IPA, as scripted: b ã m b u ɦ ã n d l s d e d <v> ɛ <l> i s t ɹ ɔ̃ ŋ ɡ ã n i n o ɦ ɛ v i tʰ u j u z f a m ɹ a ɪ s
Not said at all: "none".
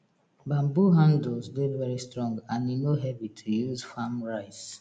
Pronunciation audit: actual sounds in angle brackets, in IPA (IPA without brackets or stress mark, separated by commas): v, ɹ